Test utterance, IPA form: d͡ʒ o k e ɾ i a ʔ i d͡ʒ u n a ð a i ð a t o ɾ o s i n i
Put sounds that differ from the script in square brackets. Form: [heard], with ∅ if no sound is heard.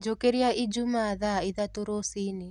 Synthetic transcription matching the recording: d͡ʒ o k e ɾ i a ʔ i d͡ʒ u [m] a ð a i ð a t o ɾ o s i n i